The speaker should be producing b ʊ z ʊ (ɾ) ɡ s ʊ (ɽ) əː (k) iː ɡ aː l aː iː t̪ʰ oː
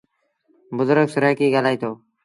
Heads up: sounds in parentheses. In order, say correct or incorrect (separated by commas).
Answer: correct, incorrect, correct